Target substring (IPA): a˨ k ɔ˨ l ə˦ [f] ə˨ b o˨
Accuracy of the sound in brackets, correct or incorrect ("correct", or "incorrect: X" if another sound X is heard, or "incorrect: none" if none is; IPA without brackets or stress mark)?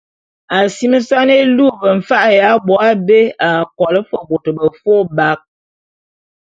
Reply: correct